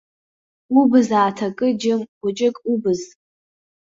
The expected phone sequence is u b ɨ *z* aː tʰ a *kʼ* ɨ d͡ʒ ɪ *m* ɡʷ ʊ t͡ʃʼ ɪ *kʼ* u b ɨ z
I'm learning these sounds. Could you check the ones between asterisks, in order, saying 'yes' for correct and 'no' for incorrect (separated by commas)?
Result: yes, yes, yes, yes